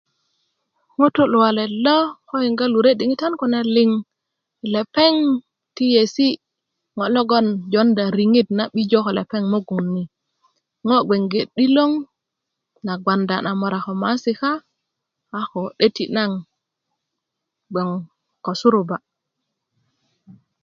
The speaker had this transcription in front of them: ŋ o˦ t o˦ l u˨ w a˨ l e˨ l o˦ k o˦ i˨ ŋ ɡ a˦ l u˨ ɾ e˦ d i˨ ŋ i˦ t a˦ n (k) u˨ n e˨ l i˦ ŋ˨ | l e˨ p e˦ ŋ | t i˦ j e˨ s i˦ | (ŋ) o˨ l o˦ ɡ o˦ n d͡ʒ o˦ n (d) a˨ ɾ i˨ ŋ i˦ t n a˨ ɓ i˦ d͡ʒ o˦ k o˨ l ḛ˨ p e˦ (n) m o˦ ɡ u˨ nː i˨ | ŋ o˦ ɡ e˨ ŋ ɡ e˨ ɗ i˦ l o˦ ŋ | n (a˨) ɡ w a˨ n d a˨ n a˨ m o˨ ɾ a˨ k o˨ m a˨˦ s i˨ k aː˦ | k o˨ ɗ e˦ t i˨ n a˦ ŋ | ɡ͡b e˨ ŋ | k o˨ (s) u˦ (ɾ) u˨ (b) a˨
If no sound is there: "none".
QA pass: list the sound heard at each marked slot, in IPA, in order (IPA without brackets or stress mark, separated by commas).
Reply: k, ŋ, d, ŋ, a˨, s, ɾ, b